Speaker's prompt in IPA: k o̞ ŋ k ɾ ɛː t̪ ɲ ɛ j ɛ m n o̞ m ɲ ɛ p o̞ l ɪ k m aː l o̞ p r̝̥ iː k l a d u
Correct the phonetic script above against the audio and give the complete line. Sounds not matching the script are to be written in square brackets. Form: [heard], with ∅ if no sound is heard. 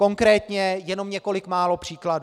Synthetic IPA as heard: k o̞ ŋ k ɾ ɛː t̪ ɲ ɛ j ɛ [∅] n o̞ m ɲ ɛ [k] o̞ l ɪ k m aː l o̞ p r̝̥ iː k l a d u